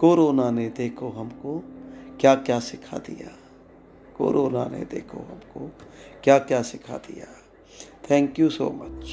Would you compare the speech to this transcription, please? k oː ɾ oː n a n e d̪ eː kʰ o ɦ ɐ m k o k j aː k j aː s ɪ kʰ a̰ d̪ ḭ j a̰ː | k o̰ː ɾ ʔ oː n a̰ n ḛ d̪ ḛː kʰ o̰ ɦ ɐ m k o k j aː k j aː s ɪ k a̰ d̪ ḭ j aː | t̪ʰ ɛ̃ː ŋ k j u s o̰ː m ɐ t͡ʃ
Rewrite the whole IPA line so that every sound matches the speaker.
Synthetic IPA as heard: k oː ɾ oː n a n e d̪ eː kʰ o ɦ ɐ m k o k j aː k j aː s ɪ kʰ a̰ d̪ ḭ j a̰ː | k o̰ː ɾ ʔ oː n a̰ n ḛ d̪ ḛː kʰ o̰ ɦ ɐ m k o k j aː k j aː s ɪ kʰ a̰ d̪ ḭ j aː | t̪ʰ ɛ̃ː ŋ k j u s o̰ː m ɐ t͡ʃ